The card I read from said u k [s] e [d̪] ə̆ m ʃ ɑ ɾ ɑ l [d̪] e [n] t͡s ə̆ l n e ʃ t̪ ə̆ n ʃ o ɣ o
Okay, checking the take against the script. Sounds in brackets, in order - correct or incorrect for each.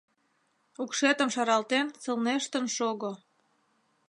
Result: incorrect, incorrect, incorrect, correct

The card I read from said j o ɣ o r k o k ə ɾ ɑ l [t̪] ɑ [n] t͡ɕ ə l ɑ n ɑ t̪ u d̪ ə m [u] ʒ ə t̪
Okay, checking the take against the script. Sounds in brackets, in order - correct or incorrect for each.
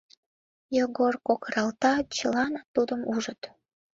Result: correct, incorrect, correct

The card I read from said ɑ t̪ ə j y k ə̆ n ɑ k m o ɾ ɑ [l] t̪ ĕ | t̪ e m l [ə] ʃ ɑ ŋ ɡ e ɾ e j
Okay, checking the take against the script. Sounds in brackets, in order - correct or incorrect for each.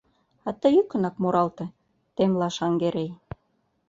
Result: correct, incorrect

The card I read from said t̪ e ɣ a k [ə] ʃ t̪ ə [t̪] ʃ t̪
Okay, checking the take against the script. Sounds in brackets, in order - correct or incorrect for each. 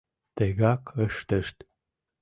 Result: correct, incorrect

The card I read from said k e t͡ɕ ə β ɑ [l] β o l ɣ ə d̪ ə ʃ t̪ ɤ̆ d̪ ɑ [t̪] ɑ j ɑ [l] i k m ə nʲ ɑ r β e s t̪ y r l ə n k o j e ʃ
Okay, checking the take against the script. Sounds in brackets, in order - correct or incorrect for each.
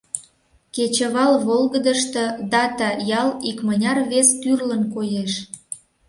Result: correct, correct, correct

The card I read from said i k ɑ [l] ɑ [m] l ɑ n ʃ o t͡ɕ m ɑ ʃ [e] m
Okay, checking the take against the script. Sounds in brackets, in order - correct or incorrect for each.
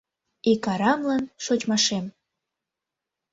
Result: incorrect, correct, correct

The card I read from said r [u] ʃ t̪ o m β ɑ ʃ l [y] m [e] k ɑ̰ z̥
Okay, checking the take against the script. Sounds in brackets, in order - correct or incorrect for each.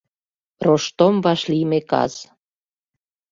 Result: incorrect, incorrect, correct

